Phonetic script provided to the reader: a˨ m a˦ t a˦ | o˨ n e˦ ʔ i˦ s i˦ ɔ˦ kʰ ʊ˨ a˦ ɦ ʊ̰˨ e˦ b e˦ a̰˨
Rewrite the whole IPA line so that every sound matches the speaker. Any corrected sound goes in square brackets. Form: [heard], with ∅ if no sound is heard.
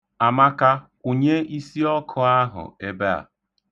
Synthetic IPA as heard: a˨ m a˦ [k] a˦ | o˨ [ɲ] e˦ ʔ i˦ s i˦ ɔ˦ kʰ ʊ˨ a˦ ɦ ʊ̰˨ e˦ b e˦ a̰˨